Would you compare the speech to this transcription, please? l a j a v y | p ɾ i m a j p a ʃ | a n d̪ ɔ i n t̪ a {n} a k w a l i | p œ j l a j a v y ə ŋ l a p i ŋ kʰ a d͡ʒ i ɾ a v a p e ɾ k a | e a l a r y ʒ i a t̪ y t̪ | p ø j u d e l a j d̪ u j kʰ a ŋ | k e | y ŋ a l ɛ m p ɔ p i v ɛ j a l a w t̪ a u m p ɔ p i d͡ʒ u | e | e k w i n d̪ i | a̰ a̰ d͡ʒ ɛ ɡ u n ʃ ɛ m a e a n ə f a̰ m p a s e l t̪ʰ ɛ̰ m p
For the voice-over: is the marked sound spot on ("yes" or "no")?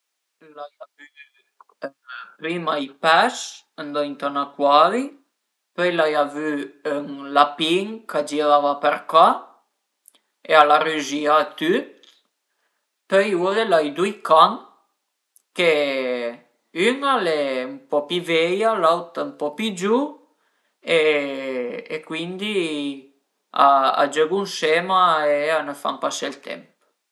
yes